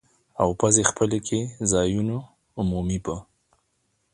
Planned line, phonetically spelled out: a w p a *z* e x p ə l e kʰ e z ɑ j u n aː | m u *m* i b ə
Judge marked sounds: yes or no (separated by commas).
yes, yes